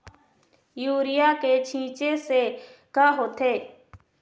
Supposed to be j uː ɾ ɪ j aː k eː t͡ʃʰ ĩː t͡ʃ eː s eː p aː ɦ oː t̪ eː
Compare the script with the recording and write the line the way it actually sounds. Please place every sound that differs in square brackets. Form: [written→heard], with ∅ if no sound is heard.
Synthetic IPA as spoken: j uː ɾ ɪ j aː k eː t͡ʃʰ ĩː t͡ʃ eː s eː [p→k] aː ɦ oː t̪ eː